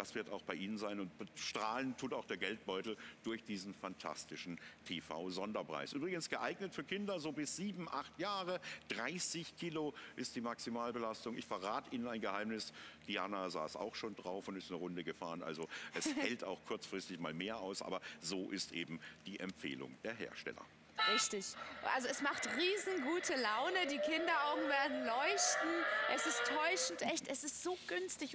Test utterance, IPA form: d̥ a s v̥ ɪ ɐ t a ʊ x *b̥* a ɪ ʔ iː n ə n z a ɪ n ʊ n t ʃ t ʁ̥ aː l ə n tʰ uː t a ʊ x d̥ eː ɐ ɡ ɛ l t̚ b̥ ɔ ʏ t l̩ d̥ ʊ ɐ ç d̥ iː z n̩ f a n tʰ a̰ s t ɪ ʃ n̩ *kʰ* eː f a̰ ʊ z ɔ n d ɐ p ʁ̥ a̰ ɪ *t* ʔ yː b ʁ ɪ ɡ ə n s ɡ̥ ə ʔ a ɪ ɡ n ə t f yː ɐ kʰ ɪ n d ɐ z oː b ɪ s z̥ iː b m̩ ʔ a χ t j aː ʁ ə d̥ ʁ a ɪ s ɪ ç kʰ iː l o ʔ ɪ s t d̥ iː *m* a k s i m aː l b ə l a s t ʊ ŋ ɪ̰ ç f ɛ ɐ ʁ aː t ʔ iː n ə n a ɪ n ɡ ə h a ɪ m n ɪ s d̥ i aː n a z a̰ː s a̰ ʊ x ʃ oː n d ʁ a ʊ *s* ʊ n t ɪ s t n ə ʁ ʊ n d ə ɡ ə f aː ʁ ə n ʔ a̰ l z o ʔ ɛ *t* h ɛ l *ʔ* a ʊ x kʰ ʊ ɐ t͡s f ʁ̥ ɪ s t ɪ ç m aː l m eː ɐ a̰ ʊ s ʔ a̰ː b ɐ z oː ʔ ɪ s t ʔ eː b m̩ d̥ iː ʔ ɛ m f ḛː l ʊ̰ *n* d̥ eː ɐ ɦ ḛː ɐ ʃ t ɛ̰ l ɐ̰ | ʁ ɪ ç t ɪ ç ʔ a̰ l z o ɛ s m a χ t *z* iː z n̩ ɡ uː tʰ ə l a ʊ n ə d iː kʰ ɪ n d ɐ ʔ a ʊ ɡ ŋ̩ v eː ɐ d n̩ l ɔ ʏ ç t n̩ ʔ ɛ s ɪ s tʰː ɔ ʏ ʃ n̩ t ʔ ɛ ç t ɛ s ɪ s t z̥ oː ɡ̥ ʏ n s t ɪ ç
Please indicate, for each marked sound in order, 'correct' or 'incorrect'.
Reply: correct, incorrect: tʰ, incorrect: s, correct, incorrect: f, incorrect: s, incorrect: t, incorrect: ŋ, incorrect: ʁ

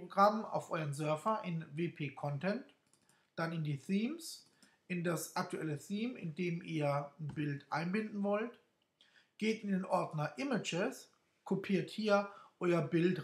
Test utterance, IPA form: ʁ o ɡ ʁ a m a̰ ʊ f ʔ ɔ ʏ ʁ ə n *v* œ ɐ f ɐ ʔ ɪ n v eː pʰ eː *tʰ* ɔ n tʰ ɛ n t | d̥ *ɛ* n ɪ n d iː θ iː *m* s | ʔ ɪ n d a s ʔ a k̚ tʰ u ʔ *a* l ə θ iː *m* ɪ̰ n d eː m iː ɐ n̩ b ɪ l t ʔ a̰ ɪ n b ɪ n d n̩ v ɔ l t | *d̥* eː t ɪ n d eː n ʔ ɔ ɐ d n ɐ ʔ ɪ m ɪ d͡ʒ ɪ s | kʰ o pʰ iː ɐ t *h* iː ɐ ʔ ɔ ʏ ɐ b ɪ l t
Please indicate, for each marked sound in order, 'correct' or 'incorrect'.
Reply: incorrect: z, incorrect: kʰ, incorrect: a, correct, incorrect: ɛ, correct, incorrect: ɡ̥, correct

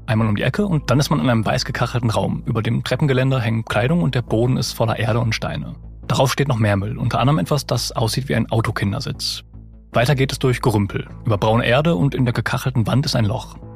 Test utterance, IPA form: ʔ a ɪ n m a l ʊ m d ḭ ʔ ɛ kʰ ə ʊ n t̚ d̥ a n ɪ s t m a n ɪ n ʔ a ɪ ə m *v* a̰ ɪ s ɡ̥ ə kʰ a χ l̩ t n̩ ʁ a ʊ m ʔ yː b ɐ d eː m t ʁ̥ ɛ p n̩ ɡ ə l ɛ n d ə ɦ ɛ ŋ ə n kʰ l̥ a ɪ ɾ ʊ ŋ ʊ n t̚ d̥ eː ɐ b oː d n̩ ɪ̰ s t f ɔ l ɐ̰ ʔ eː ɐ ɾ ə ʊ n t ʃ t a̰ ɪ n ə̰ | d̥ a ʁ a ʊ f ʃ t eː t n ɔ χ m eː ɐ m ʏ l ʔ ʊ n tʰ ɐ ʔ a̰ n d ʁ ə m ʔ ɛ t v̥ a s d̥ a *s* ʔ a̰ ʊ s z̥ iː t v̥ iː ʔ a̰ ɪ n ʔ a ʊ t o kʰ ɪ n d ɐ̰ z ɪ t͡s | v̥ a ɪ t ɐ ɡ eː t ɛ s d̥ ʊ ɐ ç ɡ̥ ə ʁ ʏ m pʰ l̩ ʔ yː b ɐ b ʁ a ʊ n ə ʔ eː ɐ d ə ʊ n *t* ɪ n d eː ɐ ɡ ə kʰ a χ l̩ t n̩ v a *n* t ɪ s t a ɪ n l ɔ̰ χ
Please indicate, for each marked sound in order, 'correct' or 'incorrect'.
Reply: correct, correct, correct, correct

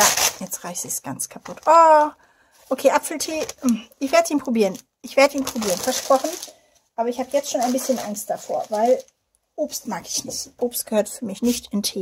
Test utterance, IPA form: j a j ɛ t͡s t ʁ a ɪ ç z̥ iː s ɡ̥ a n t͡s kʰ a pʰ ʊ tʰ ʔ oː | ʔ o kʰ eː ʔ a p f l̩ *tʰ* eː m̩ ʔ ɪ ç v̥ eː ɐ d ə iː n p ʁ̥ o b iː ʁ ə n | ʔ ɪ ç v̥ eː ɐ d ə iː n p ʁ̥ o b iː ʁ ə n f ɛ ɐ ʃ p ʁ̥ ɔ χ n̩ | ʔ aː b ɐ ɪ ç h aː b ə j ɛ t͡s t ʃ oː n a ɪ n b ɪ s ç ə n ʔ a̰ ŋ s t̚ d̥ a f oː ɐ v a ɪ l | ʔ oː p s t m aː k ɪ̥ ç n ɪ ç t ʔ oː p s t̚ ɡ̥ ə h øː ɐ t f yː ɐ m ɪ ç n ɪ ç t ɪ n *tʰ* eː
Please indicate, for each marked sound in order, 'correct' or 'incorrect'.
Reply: correct, correct

